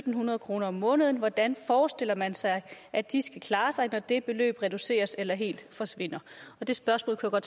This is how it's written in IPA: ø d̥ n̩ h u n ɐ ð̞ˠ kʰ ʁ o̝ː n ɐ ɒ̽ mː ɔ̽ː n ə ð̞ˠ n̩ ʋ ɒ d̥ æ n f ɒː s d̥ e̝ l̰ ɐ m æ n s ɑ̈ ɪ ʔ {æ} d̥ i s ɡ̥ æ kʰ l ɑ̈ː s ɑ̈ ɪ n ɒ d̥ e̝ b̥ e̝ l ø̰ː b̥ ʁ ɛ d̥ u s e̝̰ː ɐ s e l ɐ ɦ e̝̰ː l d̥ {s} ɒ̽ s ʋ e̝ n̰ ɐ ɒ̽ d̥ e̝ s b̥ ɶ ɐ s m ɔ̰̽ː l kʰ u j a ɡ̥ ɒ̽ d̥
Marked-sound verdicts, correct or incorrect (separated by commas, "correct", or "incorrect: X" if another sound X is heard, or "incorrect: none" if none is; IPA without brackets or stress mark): correct, incorrect: f